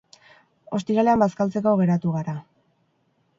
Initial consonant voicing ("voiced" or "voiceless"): voiceless